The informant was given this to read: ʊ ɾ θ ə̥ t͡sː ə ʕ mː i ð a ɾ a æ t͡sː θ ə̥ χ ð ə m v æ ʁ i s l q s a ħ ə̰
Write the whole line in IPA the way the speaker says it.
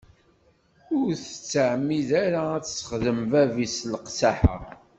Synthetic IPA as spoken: ʊ ɾ θ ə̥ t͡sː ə ʕ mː i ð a ɾ a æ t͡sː s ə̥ χ ð ə m v æ v i s l q s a ħ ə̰